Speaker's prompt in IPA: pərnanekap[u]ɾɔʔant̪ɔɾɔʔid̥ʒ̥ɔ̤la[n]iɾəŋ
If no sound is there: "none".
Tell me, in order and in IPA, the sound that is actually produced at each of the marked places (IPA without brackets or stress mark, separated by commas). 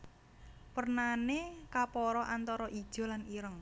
ɔ, n